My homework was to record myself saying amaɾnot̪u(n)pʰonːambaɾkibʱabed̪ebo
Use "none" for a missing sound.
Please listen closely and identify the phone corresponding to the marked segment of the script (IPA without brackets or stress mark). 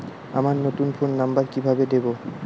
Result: n